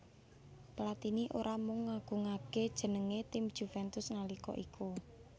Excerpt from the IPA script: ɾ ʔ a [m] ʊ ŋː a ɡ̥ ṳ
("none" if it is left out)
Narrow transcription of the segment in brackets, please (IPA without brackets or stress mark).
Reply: m